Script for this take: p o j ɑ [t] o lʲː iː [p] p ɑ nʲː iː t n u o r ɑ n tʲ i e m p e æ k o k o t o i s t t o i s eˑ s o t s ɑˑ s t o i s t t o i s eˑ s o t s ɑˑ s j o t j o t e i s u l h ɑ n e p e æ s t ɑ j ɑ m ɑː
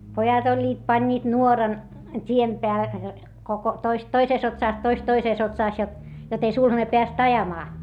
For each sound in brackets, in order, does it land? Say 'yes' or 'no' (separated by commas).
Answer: yes, no